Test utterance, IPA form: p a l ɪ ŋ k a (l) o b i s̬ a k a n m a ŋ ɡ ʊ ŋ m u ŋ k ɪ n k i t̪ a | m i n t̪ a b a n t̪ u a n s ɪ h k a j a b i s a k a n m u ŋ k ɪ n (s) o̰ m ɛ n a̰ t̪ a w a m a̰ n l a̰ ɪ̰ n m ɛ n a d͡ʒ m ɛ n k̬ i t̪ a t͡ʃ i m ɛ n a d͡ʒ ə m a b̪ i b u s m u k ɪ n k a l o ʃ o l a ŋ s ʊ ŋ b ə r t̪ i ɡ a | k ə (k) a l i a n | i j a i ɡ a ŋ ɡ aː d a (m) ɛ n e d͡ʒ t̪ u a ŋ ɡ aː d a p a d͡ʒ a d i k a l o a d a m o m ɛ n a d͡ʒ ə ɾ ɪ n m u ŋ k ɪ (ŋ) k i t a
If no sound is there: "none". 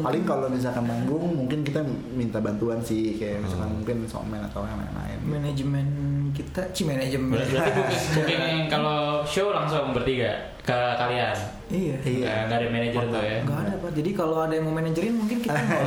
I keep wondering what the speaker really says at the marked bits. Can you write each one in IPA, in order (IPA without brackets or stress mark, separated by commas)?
l, s, k, m, n